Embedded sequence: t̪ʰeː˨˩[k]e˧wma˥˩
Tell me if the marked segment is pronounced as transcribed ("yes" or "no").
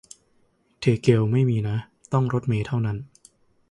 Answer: yes